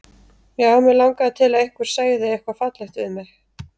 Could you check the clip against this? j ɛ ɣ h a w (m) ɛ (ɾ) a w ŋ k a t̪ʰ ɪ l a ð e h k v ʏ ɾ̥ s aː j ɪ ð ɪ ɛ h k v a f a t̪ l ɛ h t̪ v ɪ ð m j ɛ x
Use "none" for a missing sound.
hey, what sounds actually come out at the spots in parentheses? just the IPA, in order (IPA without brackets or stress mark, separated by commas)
m, l